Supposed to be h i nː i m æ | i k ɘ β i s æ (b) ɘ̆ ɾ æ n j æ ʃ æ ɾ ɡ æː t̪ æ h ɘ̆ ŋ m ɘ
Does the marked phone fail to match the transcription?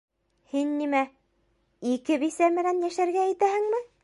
yes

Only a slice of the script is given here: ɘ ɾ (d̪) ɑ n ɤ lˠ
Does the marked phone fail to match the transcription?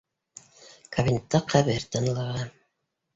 yes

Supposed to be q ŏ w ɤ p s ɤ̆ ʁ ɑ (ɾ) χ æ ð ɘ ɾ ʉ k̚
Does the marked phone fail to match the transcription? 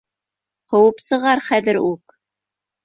no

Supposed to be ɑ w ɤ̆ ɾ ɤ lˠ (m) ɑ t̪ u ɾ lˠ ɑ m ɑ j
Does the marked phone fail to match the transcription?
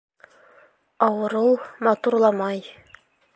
no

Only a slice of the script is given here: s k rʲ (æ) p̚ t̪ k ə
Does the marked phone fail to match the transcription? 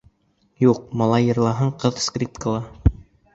yes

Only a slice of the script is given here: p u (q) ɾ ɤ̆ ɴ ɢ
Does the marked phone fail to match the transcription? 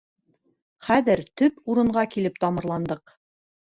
yes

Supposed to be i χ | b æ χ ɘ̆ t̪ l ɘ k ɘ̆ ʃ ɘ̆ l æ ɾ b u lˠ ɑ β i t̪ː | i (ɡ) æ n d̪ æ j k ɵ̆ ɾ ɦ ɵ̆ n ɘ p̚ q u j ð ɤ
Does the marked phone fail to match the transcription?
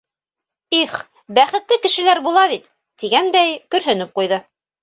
no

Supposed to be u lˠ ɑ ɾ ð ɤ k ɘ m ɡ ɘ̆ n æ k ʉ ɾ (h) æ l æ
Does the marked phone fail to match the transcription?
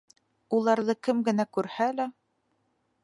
no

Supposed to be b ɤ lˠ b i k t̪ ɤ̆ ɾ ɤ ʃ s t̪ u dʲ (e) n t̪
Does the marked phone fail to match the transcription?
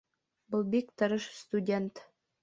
no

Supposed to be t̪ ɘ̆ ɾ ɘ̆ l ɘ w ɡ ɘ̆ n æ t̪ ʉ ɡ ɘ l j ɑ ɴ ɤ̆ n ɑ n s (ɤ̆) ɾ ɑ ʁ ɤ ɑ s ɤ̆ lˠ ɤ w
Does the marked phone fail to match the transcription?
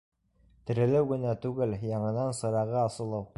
no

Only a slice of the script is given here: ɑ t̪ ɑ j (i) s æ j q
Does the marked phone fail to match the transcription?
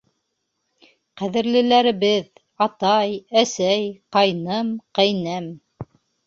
yes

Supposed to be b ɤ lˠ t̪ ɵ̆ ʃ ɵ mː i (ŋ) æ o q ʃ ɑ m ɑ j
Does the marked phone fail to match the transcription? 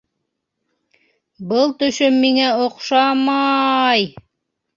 no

